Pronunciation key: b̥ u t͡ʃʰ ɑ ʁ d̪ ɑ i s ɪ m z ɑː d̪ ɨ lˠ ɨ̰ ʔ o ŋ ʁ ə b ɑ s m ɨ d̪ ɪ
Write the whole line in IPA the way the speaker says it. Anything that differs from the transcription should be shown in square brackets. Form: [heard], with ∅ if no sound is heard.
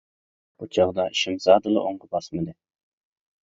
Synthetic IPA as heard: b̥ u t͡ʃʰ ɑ ʁ d̪ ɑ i [ʃ] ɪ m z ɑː d̪ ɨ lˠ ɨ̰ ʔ o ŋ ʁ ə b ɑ s m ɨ d̪ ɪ